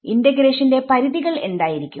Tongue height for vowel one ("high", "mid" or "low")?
high